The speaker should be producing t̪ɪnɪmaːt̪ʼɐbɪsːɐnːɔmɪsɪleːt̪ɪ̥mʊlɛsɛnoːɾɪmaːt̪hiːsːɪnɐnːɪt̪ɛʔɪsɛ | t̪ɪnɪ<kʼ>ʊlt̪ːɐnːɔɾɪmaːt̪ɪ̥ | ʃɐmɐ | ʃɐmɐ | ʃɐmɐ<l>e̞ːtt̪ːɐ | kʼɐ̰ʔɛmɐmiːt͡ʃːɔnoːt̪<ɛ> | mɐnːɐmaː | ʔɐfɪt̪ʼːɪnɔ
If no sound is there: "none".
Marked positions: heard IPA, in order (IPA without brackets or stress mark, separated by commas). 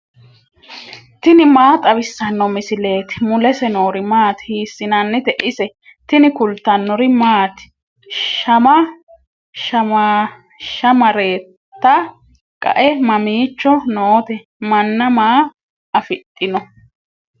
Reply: k, ɾ, ɛ